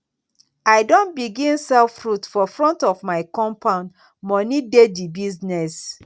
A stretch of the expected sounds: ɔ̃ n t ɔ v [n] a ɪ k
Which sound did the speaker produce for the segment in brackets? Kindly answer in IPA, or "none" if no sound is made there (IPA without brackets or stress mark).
m